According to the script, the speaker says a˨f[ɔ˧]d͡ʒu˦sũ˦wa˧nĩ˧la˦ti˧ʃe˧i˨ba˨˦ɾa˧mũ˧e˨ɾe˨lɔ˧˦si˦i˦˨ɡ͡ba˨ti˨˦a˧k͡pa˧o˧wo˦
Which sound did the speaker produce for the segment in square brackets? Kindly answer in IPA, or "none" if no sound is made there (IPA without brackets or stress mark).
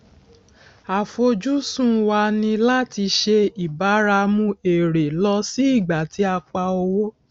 o˧